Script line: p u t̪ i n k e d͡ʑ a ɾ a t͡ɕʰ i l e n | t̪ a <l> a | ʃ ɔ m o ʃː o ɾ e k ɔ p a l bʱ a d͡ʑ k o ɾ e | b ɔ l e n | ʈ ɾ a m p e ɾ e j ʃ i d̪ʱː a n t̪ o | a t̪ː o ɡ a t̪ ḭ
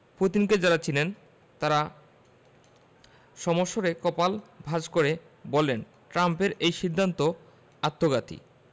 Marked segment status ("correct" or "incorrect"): incorrect